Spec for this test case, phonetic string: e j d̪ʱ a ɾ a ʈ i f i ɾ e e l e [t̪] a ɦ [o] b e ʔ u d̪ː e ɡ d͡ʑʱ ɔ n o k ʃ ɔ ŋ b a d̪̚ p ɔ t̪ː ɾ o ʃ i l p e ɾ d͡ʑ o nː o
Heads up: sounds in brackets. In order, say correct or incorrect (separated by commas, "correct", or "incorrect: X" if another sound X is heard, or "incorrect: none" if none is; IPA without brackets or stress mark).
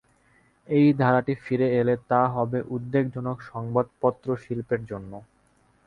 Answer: correct, incorrect: ɔ